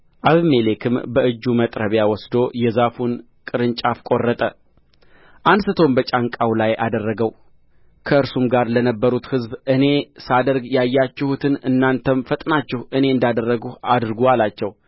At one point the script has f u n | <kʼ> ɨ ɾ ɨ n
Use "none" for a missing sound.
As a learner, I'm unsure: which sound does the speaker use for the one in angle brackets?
kʼ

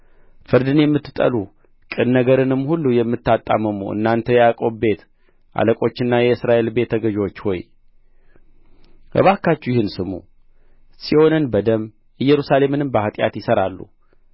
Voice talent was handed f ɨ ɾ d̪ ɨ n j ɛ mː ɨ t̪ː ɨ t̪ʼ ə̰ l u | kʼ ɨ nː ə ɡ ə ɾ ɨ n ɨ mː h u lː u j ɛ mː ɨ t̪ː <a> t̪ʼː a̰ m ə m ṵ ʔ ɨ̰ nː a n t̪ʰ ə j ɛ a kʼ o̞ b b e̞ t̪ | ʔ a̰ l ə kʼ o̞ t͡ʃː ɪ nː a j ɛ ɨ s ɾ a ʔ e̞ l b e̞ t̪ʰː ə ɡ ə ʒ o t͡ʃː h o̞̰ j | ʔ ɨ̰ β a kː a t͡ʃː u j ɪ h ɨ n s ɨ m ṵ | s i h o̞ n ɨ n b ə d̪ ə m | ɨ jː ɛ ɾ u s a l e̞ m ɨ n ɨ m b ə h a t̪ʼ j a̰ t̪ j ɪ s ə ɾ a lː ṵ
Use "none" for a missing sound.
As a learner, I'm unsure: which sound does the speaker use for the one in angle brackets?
a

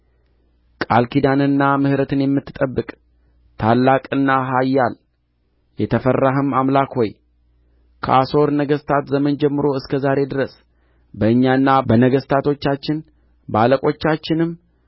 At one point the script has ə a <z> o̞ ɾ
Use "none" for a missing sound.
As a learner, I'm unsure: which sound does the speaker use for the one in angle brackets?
s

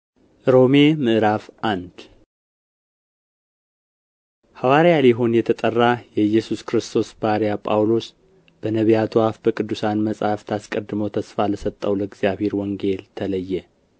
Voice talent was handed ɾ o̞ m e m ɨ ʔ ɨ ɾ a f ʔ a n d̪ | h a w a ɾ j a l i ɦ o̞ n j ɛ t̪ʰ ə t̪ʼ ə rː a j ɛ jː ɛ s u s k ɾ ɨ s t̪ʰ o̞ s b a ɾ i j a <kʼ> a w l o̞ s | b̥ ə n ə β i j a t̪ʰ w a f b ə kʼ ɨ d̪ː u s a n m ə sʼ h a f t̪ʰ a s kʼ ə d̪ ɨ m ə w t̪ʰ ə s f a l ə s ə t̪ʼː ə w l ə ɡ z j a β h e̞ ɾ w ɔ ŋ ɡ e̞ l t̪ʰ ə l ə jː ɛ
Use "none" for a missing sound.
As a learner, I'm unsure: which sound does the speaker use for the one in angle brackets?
pʼ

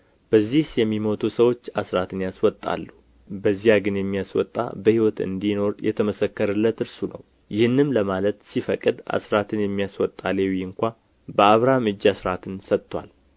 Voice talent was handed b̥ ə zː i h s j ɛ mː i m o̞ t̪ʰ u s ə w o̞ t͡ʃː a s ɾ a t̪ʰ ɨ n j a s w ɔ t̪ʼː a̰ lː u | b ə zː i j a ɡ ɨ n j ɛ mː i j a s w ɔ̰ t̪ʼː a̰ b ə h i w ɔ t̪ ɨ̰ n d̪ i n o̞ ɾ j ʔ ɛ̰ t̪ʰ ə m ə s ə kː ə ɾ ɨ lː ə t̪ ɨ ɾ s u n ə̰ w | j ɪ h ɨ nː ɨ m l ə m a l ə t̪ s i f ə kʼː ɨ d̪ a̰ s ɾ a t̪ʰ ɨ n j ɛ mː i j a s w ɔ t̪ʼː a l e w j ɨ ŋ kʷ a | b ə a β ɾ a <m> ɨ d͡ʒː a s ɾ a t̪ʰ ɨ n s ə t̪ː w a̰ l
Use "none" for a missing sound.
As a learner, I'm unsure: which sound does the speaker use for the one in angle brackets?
m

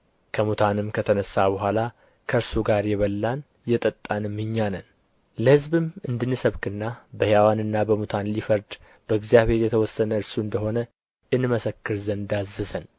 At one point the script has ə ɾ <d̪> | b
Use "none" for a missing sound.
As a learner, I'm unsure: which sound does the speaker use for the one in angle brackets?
d̪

